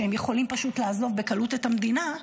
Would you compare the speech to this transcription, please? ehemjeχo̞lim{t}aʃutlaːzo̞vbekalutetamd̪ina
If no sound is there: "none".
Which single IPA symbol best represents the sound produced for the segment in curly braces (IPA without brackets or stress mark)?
p